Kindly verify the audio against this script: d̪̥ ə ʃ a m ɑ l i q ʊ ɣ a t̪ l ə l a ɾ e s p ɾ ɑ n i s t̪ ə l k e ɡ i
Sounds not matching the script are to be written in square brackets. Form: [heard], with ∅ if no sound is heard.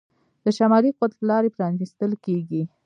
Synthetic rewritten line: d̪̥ ə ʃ a m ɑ l i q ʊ [w] a t̪ l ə l [ɑ] ɾ e [∅] p ɾ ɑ n i s t̪ ə l k e ɡ i